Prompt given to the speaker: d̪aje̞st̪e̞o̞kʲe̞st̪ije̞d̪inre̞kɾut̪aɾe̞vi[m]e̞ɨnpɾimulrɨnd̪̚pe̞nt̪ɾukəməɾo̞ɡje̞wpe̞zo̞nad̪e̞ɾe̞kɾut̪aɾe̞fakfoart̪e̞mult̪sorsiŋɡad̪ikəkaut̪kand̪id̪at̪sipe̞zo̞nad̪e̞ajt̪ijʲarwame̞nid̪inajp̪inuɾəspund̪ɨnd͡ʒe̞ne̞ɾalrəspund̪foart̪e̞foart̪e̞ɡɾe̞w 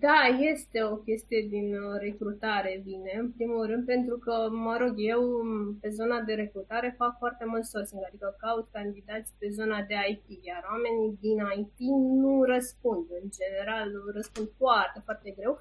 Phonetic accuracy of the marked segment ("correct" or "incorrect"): incorrect